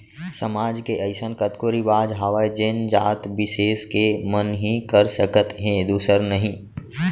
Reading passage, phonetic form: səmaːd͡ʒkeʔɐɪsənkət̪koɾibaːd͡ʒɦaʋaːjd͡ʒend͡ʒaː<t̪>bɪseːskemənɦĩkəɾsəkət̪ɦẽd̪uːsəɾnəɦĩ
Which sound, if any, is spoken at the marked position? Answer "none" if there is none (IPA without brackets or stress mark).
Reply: t̪